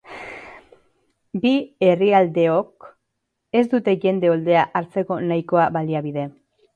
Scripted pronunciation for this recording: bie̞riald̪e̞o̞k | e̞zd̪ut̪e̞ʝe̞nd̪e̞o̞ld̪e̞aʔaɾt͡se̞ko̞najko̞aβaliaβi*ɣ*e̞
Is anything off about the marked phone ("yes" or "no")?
yes